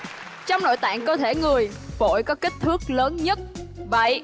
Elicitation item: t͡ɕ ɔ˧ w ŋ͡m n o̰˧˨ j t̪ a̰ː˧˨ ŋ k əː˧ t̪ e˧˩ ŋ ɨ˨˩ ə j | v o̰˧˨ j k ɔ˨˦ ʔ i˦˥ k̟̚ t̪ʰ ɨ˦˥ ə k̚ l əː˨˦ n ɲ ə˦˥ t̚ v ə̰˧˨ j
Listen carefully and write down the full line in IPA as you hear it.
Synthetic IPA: t͡ɕ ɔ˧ w ŋ͡m n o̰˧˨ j t̪ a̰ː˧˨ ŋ k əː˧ t̪ʰ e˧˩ ŋ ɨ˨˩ ə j | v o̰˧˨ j k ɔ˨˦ k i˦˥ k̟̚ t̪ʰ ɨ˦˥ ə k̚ l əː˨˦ n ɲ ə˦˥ t̚ v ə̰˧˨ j